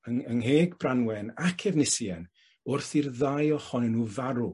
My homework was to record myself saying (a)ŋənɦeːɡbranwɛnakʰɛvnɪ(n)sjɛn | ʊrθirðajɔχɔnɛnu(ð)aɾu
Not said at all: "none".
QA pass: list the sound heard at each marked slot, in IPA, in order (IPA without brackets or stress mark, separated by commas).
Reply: ə, none, v